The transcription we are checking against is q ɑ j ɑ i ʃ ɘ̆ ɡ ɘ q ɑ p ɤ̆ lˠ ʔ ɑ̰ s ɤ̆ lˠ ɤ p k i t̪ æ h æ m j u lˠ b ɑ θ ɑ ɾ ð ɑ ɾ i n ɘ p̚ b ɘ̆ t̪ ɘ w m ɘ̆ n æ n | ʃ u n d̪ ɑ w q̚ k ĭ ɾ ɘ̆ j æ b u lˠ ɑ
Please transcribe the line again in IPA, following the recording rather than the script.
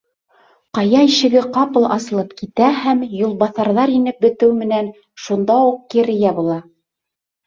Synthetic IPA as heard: q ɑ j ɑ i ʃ ɘ̆ ɡ ɘ q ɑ p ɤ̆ lˠ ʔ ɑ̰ s ɤ̆ lˠ ɤ p k i t̪ æ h æ m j u lˠ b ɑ θ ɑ ɾ ð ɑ ɾ i n ɘ p̚ b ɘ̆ t̪ ɘ w m ɘ̆ n æ n | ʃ u n d̪ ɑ u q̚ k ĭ ɾ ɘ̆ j æ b u lˠ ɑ

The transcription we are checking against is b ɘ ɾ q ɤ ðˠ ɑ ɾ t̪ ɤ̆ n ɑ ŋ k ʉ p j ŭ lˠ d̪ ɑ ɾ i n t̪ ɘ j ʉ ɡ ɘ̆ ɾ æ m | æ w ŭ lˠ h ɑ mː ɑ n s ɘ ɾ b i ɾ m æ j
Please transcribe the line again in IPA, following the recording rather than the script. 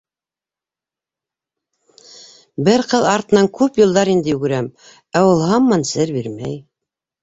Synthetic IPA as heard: b ɘ ɾ q ɤ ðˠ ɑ ɾ t̪ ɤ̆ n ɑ ŋ k ʉ p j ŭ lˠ d̪ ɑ ɾ i n d̪ ɘ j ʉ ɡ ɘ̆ ɾ æ m | æ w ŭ lˠ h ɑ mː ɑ n s ɘ ɾ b i ɾ m æ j

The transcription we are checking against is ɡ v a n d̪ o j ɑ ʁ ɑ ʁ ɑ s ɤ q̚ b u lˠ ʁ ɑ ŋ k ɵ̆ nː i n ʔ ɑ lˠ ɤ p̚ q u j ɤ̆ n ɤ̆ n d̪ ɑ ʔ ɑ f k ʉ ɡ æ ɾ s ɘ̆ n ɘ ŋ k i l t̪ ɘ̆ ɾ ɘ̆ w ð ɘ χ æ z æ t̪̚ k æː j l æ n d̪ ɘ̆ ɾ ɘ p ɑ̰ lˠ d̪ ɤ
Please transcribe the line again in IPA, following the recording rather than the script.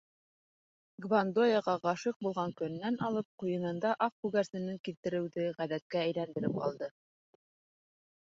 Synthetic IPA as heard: ɡ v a n d̪ o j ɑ ʁ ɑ ʁ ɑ ʃ ɤ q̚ b u lˠ ʁ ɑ ŋ k ɵ̆ nː æ n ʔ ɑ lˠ ɤ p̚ q u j ɤ̆ n ɤ̆ n d̪ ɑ ʔ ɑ f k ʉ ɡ æ ɾ s ɘ̆ n ɘ ŋ k i l t̪ ɘ̆ ɾ ɘ̆ w ð ɘ ʁ æ ð æ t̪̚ k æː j l æ n d̪ ɘ̆ ɾ ɘ p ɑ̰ lˠ d̪ ɤ

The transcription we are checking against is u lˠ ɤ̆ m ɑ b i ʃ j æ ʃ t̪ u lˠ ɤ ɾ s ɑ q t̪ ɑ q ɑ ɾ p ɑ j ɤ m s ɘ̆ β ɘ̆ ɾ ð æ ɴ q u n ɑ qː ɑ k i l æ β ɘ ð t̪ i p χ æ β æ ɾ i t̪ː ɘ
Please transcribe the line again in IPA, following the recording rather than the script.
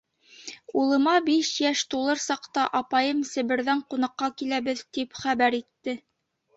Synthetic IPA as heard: u lˠ ɤ̆ m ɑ b i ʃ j æ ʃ t̪ u lˠ ɤ ɾ s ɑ q t̪ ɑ ʔ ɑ p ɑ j ɤ m s ɘ̆ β ɘ̆ ɾ ð æ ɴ q u n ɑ qː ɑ k i l æ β ɘ ð t̪ i p χ æ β æ ɾ i t̪ː ɘ

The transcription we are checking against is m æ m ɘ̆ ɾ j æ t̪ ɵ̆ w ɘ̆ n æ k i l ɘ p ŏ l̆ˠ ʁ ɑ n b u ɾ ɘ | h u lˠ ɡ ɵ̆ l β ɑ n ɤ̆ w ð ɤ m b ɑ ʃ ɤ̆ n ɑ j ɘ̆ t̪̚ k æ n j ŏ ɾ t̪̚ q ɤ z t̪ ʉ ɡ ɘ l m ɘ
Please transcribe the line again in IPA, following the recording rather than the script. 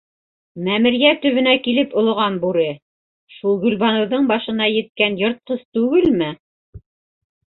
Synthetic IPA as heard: m æ m ɘ̆ ɾ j æ t̪ ɵ̆ β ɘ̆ n æ k i l ɘ p ŏ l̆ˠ ʁ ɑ n b u ɾ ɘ | ʃ u lˠ ɡ ɵ̆ l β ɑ n ɤ̆ w ð ɤ ɴ b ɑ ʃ ɤ̆ n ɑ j ɘ̆ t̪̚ k æ n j ŏ ɾ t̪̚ q ɤ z t̪ ʉ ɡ ɘ l m ɘ

